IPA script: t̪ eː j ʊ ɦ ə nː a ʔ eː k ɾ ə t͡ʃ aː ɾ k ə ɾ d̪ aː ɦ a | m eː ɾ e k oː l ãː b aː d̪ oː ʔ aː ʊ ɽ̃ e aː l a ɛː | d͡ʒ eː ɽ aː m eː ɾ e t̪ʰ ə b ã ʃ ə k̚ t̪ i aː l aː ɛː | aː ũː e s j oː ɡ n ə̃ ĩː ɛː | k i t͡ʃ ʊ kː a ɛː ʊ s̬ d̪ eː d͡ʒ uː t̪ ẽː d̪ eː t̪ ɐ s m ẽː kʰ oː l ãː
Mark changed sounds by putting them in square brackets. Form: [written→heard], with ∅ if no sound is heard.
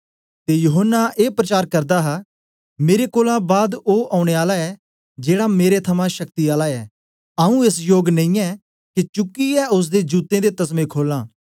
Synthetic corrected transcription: t̪ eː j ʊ ɦ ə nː a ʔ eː [k→p] ɾ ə t͡ʃ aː ɾ k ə ɾ d̪ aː ɦ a | m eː ɾ e k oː l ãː b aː d̪ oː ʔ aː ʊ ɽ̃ e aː l a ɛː | d͡ʒ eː ɽ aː m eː ɾ e t̪ʰ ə [b→m] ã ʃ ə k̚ t̪ i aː l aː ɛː | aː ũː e s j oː ɡ n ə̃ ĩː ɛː | k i t͡ʃ ʊ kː [a→i] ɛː ʊ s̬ d̪ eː d͡ʒ uː t̪ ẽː d̪ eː t̪ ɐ s m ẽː kʰ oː l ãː